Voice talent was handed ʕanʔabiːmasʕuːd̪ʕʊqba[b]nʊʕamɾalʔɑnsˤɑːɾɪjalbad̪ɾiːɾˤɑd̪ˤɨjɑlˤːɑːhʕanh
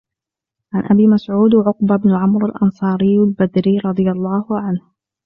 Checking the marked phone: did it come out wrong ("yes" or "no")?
no